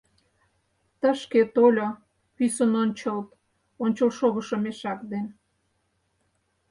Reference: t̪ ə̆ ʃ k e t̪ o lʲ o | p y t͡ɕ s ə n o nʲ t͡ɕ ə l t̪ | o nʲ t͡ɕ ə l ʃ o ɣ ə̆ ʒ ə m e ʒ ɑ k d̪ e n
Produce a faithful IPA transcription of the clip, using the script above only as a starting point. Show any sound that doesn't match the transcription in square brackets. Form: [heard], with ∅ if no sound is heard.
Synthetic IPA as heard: t̪ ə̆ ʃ k e t̪ o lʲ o | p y [∅] s ə n o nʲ t͡ɕ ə l t̪ | o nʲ t͡ɕ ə l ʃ o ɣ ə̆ [ʃ] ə m e [ʃ] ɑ k d̪ e n